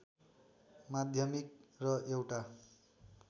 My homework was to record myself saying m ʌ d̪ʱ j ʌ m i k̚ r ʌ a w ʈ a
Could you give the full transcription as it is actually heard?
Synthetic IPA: m a d̪ʱ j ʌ m i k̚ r ʌ e w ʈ a